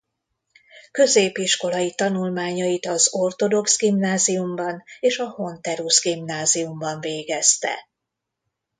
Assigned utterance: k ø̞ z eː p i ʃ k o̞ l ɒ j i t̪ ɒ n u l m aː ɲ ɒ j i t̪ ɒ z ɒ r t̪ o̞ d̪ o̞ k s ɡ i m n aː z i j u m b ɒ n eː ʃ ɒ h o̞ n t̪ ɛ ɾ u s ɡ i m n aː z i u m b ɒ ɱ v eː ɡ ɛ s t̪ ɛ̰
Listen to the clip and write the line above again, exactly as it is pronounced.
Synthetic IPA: k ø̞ z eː p i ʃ k o̞ l ɒ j i t̪ ɒ n u l m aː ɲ ɒ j i t̪ ɒ z o r t̪ o̞ d̪ o̞ k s ɡ i m n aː z i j u m b ɒ n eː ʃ ɒ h o̞ n t̪ ɛ ɾ u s ɡ i m n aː z i u m b ɒ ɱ v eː ɡ ɛ s t̪ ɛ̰